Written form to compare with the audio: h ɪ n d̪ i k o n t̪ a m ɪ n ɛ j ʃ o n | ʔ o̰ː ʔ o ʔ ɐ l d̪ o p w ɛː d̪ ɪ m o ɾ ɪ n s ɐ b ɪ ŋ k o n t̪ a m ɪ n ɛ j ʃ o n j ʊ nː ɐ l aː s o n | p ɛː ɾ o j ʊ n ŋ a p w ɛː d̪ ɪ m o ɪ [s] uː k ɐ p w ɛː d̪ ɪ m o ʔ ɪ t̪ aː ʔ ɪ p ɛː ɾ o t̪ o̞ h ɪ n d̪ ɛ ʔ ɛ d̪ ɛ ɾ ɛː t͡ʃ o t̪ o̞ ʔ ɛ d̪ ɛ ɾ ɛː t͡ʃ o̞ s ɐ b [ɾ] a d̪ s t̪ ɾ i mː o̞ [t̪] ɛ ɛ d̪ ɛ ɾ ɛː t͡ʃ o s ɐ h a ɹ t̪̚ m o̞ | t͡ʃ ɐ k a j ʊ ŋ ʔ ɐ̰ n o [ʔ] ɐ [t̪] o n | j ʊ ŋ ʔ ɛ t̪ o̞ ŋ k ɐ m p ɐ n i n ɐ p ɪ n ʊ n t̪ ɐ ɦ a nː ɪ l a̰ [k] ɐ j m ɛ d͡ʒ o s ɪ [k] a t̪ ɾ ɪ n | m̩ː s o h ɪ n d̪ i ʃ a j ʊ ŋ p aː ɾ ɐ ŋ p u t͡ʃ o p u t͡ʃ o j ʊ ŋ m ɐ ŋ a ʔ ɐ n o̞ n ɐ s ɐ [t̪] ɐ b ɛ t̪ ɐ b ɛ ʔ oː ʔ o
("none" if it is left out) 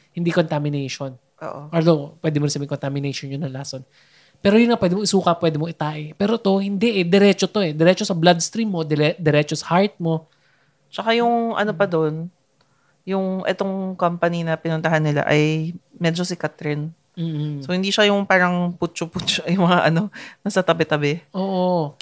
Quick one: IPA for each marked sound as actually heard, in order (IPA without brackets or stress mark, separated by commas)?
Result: s, l, d̪, p, d̪, ʔ, k, t̪